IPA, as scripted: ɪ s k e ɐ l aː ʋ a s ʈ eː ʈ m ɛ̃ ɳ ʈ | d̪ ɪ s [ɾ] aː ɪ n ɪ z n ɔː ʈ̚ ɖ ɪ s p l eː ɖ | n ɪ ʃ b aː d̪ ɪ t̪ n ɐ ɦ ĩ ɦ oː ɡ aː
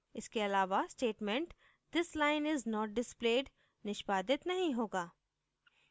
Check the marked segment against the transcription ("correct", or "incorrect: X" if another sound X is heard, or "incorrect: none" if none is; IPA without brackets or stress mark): incorrect: l